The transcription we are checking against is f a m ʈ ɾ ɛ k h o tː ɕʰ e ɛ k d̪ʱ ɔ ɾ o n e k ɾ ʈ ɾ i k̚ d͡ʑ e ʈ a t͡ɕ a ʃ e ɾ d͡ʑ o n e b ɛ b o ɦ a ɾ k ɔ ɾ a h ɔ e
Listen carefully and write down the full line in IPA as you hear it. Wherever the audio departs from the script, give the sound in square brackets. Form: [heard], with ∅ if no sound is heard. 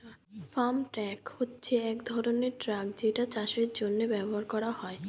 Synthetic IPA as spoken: f a m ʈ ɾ ɛ k h o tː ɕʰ e ɛ k d̪ʱ ɔ ɾ o n e [∅] ɾ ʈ ɾ [a] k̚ d͡ʑ e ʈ a t͡ɕ a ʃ e ɾ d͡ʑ o [nː] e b ɛ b o ɦ a ɾ k ɔ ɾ a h ɔ e